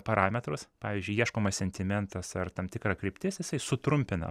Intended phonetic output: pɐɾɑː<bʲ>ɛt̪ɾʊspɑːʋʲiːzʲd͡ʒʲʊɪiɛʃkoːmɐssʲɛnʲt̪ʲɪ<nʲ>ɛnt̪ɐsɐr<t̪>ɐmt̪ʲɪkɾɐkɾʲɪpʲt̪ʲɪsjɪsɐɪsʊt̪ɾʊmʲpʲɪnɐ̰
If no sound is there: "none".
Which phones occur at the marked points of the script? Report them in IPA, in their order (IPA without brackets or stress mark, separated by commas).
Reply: mʲ, mʲ, t̪